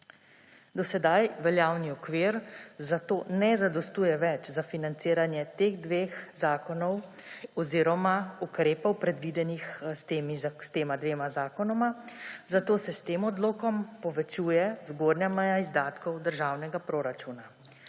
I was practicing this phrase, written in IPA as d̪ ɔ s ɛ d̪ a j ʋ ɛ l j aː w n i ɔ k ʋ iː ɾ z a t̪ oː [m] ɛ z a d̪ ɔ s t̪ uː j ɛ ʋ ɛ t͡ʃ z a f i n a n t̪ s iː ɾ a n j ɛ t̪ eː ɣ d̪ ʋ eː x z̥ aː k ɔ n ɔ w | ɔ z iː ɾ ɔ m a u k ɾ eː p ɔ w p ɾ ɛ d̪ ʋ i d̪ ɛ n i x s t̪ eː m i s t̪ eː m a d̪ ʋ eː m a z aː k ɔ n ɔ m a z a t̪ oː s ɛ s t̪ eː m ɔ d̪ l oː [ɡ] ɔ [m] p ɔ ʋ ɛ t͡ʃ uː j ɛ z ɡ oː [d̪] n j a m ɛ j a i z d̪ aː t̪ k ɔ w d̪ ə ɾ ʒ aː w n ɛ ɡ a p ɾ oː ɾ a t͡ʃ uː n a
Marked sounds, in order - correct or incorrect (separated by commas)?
incorrect, incorrect, correct, correct